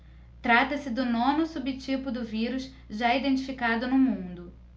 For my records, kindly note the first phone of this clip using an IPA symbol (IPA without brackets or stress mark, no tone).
t̪